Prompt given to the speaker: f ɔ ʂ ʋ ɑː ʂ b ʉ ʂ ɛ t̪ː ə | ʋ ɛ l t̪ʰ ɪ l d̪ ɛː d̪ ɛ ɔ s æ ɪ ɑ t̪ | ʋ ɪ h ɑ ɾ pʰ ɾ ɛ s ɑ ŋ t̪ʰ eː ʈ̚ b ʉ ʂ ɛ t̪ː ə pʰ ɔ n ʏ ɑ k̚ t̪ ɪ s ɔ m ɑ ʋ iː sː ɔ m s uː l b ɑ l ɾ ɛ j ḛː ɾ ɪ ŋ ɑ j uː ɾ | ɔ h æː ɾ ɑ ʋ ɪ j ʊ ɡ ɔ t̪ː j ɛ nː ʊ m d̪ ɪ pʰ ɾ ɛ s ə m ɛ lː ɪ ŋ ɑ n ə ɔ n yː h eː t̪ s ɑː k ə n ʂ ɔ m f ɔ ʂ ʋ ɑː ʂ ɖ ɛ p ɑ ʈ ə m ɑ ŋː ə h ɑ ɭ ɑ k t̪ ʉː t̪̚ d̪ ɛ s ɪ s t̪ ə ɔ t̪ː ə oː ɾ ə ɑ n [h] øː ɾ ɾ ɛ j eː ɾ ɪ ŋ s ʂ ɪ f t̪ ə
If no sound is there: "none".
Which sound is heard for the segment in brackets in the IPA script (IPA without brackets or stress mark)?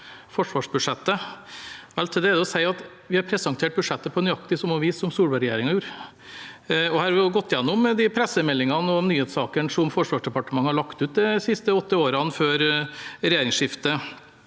f